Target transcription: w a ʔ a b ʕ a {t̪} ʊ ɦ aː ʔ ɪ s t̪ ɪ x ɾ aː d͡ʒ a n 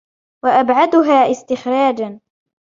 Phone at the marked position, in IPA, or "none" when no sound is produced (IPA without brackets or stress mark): d̪